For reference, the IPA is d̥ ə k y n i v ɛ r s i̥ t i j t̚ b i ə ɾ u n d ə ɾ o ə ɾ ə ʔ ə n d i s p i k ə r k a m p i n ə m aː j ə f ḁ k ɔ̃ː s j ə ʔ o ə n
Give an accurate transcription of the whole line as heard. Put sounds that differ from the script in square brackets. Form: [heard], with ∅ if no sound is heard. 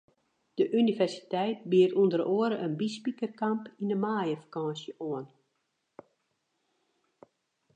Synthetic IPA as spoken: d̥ ə [ʔ] y n i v ɛ r s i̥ t [ɛ] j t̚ b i ə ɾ u n d ə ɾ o ə ɾ ə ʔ ə n [b] i s p i k ə r k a m p i n ə m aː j ə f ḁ k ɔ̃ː s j ə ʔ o ə n